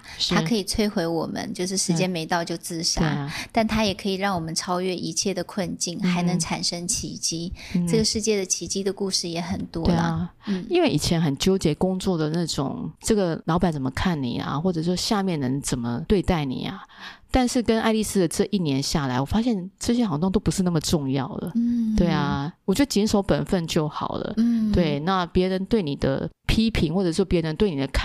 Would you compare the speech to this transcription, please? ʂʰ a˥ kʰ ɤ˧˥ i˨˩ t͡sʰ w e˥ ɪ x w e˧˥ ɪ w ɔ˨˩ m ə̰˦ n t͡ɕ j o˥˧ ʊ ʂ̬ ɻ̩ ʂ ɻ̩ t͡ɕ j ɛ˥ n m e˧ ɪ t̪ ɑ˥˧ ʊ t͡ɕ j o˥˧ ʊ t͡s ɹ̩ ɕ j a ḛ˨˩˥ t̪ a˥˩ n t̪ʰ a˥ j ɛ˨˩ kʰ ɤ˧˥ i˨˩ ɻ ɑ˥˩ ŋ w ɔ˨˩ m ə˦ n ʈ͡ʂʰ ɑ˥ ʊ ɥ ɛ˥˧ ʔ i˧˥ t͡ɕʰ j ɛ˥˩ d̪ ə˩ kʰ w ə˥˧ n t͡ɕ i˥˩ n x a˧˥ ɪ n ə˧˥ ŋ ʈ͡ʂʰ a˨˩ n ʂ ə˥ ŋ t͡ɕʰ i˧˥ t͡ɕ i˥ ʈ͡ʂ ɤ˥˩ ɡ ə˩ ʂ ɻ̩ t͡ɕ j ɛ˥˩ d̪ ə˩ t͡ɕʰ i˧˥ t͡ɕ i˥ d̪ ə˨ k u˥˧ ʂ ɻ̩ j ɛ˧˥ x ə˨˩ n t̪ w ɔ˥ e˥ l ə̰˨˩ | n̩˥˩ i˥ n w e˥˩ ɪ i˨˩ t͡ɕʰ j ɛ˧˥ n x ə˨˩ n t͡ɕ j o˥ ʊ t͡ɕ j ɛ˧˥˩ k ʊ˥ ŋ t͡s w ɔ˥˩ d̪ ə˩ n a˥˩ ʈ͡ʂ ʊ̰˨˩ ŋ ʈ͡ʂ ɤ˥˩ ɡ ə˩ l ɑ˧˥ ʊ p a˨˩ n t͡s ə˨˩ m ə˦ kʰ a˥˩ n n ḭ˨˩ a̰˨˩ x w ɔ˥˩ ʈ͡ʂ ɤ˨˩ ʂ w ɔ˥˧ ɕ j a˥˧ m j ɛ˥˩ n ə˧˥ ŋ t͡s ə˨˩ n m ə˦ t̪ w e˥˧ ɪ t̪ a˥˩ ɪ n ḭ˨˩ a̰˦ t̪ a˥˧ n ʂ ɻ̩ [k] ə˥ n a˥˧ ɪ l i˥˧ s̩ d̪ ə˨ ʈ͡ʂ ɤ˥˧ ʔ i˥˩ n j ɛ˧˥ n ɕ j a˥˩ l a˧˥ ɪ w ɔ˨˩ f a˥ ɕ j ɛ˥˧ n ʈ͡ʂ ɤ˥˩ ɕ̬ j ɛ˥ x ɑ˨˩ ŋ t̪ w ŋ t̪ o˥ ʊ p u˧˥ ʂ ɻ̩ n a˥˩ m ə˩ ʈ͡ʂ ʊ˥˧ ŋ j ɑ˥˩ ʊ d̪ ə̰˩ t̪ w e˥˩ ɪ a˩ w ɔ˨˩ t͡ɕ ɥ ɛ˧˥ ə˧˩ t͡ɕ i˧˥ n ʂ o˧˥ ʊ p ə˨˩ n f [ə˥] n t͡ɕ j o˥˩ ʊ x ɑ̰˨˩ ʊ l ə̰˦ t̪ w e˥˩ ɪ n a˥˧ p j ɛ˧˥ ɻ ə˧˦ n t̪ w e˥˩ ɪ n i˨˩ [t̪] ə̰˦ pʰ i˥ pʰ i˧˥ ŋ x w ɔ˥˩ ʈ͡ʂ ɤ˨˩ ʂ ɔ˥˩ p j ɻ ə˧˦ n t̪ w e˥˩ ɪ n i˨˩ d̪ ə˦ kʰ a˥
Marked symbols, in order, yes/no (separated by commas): yes, no, no